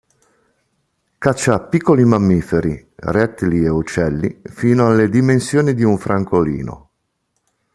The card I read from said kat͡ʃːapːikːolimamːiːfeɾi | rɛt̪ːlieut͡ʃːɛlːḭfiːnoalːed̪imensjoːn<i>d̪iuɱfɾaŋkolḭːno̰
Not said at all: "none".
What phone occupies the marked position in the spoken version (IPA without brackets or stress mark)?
i